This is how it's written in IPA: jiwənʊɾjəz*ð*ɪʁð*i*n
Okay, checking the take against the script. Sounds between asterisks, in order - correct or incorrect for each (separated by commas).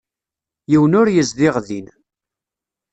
correct, correct